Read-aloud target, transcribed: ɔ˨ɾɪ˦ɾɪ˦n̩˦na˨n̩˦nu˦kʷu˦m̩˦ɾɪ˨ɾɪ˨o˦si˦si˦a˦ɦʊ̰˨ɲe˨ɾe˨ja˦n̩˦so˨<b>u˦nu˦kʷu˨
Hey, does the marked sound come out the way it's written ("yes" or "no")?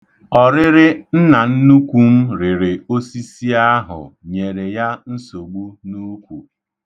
no